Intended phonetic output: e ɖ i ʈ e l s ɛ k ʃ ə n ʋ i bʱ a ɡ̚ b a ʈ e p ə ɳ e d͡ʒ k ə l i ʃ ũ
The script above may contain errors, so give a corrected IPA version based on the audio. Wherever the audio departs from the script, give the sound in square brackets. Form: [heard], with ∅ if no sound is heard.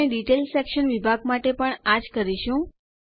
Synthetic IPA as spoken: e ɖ i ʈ e l s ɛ k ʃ ə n ʋ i bʱ a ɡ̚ [m] a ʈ e p ə ɳ [a] d͡ʒ k ə [ɾ] i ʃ ũ